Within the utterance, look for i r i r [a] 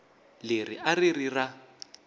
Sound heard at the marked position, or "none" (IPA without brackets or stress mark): a